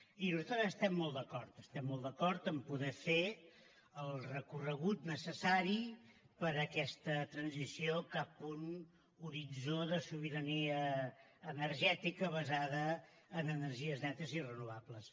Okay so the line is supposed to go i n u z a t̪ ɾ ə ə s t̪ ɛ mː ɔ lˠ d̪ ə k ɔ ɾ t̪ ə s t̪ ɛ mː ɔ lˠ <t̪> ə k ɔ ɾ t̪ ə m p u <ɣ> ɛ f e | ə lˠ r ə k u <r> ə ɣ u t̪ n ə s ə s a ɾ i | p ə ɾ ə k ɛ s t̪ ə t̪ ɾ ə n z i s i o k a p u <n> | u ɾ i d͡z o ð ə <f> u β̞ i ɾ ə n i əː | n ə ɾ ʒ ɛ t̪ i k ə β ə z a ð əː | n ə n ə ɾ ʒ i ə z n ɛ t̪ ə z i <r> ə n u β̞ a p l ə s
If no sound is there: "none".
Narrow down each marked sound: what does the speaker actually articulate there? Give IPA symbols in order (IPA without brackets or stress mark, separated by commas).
d̪, ð, r, n, s, r